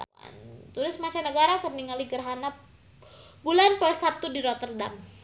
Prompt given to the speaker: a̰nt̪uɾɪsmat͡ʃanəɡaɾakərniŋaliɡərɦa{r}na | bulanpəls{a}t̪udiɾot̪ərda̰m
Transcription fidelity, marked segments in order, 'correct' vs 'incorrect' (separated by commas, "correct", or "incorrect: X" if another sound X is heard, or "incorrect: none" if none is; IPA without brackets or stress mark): incorrect: none, correct